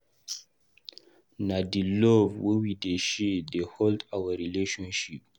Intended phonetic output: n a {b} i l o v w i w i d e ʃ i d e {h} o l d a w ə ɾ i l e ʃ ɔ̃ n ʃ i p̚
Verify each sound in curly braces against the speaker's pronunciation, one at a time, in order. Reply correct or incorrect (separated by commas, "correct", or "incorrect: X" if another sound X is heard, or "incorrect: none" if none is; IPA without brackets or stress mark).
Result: incorrect: d, correct